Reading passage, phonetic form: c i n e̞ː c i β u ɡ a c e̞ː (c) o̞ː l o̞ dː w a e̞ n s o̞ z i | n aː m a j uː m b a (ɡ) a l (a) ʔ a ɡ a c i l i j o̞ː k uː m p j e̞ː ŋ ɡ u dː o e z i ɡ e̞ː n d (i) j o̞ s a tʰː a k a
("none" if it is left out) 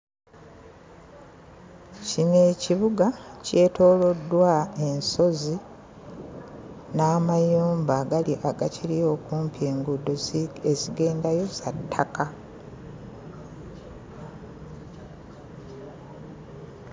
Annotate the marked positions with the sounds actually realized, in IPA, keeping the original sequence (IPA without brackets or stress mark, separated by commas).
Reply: t, ɡ, i, a